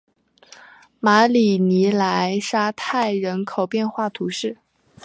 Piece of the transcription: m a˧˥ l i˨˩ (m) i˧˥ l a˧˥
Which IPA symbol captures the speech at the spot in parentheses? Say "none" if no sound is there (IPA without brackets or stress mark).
n